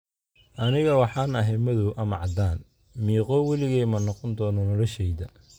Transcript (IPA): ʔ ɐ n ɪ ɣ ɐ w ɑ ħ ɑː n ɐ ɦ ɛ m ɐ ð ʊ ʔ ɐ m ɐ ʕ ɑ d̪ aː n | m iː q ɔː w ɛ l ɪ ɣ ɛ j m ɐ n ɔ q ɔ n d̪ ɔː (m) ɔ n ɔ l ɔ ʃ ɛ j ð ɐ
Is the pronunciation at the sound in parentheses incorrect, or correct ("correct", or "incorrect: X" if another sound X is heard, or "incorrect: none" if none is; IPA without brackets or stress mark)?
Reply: incorrect: n